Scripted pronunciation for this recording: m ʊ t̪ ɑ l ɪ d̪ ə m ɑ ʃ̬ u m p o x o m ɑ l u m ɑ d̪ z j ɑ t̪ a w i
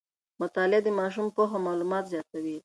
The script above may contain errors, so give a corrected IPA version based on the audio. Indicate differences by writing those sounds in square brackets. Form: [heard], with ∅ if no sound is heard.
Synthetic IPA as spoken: m ʊ t̪ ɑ l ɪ d̪ ə m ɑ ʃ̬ u m p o x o m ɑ l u m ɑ [t̪] z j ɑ t̪ a w i

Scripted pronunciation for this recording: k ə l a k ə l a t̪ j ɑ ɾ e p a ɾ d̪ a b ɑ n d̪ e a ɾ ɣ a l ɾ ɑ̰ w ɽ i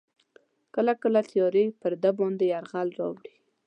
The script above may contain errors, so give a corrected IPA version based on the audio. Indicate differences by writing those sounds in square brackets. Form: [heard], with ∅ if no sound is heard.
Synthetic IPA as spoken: k ə l a k ə l a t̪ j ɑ ɾ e p [ə] ɾ d̪ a b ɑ n d̪ e a ɾ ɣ a l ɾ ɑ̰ w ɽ i

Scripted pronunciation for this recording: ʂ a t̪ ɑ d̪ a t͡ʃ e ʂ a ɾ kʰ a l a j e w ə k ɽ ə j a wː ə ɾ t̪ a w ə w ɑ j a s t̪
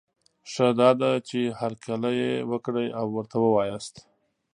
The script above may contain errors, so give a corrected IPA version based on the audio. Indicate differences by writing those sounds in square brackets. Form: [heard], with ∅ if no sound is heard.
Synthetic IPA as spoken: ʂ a [d̪] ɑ d̪ a t͡ʃ e [h] a ɾ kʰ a l a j e w ə k ɽ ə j a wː ə ɾ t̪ a w ə w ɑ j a s t̪

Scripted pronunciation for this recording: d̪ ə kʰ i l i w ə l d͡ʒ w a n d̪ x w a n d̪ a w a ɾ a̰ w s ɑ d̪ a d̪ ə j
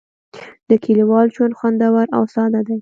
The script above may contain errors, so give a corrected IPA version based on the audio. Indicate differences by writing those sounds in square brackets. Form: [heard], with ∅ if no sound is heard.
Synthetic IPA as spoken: d̪ ə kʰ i l i w [ɑ] l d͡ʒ w a n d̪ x w a n d̪ a w a ɾ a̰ w s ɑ d̪ a d̪ [a] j

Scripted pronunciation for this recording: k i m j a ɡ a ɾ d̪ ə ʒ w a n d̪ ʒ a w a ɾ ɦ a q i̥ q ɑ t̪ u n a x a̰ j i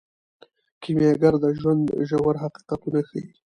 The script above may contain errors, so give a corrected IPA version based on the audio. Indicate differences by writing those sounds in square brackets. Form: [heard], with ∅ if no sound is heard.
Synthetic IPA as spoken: k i m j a ɡ a ɾ d̪ ə ʒ w a n d̪ ʒ a w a ɾ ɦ a q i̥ q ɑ t̪ u n a x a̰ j i

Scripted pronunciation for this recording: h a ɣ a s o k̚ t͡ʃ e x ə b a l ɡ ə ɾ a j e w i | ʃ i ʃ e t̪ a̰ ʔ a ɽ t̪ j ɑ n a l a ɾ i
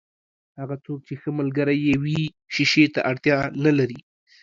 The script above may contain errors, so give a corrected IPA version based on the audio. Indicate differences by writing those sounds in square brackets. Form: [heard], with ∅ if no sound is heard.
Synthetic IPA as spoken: h a ɣ a [t͡s] o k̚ t͡ʃ e x ə [m] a l ɡ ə ɾ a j e w i | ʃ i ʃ e t̪ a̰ ʔ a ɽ t̪ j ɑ n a l a ɾ i

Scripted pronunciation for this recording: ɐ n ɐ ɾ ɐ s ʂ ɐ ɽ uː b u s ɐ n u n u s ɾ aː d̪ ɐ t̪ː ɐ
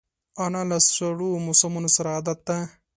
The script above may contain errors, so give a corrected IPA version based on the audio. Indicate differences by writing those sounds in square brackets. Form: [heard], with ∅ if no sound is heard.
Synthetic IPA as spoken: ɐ n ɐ [l] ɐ s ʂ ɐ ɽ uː [m] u s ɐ [m] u n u s ɾ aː d̪ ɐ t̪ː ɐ

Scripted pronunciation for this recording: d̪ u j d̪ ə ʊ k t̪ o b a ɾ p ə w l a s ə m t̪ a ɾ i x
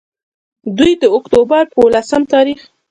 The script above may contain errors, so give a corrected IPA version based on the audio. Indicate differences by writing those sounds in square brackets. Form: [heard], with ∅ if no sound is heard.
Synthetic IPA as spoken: d̪ u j d̪ ə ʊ k t̪ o b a ɾ p ə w l a s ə m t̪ [ɑ] ɾ i x

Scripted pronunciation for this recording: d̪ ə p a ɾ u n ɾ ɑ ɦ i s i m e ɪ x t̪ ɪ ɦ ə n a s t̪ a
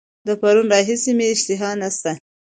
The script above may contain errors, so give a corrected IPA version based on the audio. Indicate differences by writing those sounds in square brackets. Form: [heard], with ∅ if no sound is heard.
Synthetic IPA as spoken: d̪ ə p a ɾ u n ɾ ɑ ɦ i s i m e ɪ [ʃ] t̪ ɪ ɦ [ɑ] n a s t̪ a

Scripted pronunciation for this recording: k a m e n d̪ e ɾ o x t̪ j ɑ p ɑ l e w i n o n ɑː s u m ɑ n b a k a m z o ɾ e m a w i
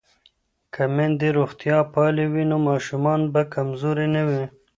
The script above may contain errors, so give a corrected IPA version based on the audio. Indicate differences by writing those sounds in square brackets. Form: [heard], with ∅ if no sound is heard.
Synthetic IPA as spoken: k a m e n d̪ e ɾ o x t̪ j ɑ p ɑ l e w i n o [m] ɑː [ʃ] u m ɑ n b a k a m z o ɾ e [n] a w i

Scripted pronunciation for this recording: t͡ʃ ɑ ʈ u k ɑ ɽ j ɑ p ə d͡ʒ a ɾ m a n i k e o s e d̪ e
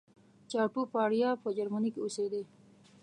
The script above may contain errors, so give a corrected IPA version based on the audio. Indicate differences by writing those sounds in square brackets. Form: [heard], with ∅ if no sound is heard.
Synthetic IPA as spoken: t͡ʃ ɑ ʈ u [p] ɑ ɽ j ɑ p ə d͡ʒ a ɾ m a n i k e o s e d̪ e

